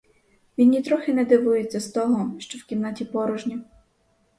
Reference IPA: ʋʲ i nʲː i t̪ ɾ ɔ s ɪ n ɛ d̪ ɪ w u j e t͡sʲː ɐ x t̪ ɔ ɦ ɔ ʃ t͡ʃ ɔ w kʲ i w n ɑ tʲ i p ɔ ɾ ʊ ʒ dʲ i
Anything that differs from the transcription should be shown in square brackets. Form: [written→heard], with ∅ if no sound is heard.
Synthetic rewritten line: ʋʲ i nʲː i t̪ ɾ ɔ [s→x] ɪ n ɛ d̪ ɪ [w→ʋ] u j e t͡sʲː ɐ [x→s] t̪ ɔ ɦ ɔ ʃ t͡ʃ ɔ w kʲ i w n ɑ tʲ i p ɔ ɾ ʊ ʒ [dʲ→nʲ] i